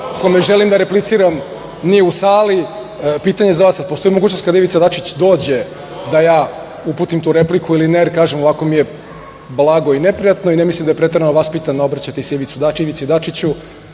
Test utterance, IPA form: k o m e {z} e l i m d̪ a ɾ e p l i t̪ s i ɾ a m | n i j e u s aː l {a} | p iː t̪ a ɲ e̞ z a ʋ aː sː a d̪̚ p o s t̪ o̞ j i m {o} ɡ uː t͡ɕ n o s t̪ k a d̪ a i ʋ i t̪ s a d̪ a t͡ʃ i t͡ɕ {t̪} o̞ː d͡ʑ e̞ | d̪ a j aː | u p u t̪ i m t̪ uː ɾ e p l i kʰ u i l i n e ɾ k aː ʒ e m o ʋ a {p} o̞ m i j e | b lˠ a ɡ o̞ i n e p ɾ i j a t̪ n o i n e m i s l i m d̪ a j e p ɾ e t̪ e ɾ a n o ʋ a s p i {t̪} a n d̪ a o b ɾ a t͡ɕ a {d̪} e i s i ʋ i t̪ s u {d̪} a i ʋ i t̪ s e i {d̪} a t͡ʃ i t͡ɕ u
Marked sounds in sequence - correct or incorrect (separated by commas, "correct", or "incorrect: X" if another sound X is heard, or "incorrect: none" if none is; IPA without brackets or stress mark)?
incorrect: ʒ, incorrect: i, correct, incorrect: d̪, incorrect: k, correct, incorrect: t̪, correct, correct